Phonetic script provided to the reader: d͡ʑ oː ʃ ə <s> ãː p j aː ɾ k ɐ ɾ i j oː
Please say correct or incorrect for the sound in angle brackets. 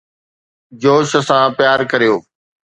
correct